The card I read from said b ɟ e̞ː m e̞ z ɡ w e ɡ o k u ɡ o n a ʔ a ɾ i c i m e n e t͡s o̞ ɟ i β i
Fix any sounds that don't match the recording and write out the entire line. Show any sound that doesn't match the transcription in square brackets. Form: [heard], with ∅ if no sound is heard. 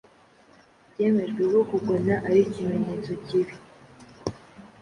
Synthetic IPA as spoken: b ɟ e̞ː m e̞ [ʒ] ɡ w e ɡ o k u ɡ o n a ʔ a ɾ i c i m e [ɲ] e t͡s o̞ [c] i β i